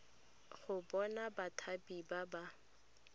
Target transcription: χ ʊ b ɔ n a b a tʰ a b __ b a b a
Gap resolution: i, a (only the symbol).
i